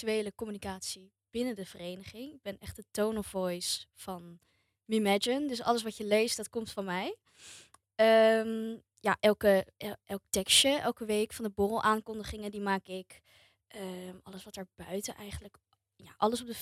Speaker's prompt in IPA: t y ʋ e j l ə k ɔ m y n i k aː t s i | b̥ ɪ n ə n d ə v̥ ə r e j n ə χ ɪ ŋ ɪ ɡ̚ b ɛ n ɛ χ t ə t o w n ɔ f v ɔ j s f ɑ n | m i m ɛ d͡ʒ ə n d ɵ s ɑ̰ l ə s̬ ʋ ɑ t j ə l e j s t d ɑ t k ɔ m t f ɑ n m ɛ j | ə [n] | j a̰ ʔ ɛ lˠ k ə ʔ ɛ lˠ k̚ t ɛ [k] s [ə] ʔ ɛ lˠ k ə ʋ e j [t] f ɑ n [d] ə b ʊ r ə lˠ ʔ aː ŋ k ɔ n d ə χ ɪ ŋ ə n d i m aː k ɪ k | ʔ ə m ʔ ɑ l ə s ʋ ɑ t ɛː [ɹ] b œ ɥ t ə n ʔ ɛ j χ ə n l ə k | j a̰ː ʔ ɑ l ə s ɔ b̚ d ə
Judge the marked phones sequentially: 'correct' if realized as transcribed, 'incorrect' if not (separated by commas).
incorrect, correct, correct, incorrect, correct, correct